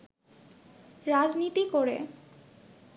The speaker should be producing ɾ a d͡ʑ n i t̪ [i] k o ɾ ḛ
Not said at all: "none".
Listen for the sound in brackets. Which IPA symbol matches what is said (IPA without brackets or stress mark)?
i